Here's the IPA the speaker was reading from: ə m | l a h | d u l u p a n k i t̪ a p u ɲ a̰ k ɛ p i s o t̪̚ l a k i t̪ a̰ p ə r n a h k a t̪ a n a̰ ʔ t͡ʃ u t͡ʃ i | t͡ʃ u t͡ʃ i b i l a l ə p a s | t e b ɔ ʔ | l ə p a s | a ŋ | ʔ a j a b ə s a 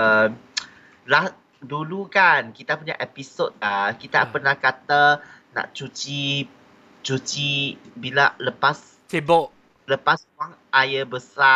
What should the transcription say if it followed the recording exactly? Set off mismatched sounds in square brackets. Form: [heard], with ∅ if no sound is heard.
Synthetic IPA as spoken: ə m | l a h | d u l u [k] a n k i t̪ a p u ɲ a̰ [ʔ] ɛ p i s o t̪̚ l a k i t̪ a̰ p ə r n a h k a t̪ a n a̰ ʔ t͡ʃ u t͡ʃ i | t͡ʃ u t͡ʃ i b i l a l ə p a s | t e b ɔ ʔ | l ə p a s | a ŋ | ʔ a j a b ə s a